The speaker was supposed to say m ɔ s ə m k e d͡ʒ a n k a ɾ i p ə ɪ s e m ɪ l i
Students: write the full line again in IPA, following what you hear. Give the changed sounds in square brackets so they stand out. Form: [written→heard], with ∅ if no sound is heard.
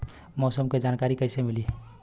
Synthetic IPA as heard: m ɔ s ə m k e d͡ʒ a n k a ɾ i [p→k] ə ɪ s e m [ɪ→i] l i